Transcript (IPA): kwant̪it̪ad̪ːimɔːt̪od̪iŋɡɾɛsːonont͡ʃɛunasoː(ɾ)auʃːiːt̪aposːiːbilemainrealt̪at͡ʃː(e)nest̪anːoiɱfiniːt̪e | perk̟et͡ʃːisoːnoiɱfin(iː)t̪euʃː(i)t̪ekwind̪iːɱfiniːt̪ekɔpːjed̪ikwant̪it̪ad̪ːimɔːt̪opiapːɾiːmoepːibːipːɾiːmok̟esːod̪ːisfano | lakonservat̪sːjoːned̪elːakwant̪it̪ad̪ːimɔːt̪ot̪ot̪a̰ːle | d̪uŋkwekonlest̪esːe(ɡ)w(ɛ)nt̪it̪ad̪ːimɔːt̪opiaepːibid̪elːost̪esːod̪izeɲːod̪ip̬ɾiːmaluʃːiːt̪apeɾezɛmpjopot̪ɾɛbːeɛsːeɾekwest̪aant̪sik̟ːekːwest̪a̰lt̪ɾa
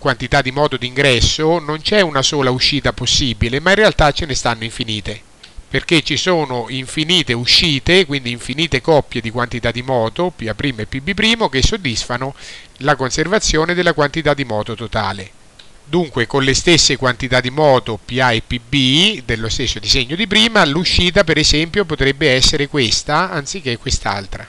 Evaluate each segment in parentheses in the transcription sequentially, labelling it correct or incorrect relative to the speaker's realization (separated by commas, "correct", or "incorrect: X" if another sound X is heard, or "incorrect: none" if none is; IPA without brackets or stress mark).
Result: incorrect: l, correct, correct, incorrect: iː, incorrect: k, incorrect: a